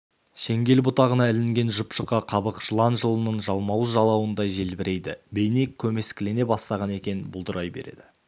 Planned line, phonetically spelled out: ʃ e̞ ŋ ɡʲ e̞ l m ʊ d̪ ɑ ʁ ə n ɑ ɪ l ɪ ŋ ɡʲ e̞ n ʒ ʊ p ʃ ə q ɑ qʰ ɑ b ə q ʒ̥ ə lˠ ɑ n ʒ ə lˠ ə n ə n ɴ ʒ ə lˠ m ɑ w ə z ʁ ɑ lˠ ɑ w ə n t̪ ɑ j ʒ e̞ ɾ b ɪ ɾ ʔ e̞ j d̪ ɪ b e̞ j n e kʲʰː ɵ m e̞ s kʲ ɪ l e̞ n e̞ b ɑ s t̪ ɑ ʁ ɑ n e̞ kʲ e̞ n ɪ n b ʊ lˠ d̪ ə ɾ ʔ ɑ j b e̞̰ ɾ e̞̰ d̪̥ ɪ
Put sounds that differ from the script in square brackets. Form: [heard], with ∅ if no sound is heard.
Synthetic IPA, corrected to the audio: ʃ e̞ ŋ ɡʲ e̞ l [b] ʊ [t̪] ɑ ʁ ə n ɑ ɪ l ɪ ŋ ɡʲ e̞ n ʒ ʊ p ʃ ə q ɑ qʰ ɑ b ə q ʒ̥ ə lˠ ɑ n ʒ ə lˠ ə n ə [∅] ɴ ʒ [ɑ] lˠ m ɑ w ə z [ʒ] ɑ lˠ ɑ w ə n [d̪] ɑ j ʒ e̞ [l] b ɪ ɾ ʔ e̞ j d̪ ɪ b e̞ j n e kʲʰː ɵ m e̞ s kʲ ɪ l e̞ n e̞ b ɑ s t̪ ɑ ʁ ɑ n e̞ kʲ e̞ n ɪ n b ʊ lˠ d̪ ə ɾ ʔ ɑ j b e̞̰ ɾ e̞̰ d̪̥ ɪ